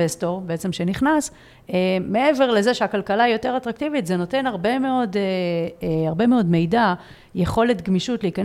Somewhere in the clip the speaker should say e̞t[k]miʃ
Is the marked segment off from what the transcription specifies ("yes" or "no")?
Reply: yes